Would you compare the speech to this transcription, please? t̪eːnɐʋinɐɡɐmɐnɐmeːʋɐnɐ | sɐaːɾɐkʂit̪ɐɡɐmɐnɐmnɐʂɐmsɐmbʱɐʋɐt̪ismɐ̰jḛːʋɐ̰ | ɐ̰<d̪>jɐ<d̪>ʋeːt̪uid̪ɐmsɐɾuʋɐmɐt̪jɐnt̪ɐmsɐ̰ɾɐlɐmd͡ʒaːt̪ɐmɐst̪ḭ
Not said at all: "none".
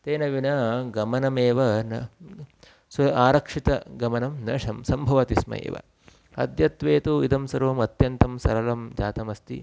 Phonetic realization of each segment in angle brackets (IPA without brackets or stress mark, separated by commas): d̪, t̪